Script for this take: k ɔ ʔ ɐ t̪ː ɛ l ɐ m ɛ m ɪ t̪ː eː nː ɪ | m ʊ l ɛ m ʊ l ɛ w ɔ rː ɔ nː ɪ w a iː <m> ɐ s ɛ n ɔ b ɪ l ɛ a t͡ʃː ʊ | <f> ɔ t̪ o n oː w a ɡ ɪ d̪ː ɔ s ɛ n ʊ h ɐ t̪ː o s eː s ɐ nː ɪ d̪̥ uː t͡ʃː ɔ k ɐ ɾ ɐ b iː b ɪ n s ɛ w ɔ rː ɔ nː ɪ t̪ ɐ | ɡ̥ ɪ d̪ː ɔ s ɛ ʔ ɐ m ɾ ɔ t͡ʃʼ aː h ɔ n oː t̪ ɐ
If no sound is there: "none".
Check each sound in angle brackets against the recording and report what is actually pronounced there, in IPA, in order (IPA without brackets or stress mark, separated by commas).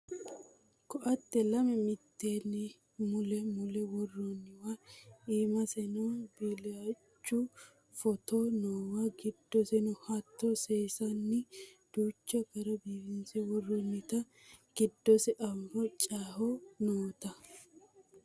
m, f